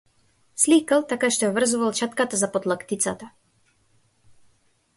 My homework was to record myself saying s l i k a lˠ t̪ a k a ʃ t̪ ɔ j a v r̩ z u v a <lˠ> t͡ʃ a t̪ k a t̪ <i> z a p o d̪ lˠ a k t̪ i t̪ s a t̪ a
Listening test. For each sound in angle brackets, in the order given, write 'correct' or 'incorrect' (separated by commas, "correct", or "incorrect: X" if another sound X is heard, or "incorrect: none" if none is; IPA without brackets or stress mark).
correct, incorrect: a